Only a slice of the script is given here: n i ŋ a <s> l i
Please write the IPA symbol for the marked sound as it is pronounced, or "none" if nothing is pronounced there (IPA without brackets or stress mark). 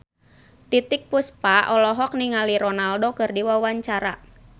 none